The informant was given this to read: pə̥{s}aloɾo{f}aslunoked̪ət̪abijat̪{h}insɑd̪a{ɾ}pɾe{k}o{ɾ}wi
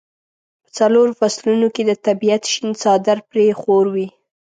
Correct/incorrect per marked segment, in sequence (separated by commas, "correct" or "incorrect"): incorrect, correct, incorrect, correct, incorrect, correct